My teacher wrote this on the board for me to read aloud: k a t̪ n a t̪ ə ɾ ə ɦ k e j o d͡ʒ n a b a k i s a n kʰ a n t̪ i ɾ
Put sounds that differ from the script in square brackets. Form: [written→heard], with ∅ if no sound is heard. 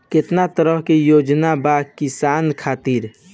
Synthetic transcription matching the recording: k [a→e] t̪ n a t̪ ə ɾ ə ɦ k e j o d͡ʒ n a b a k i s a n kʰ a [n→∅] t̪ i ɾ